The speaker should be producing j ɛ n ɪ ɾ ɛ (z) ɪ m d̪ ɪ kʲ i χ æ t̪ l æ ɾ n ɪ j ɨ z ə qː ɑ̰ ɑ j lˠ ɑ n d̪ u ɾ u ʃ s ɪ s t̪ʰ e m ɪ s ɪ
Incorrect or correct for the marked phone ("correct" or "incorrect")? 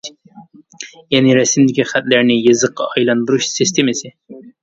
incorrect